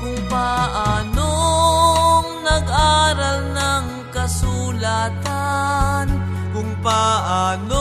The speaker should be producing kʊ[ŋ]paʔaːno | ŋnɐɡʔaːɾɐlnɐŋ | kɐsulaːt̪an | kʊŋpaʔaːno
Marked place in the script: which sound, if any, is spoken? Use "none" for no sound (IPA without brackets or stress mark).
ŋ